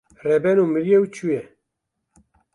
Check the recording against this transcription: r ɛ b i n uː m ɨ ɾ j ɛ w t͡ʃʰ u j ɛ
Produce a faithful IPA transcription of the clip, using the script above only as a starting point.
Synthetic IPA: r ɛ b ɛ n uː m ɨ ɾ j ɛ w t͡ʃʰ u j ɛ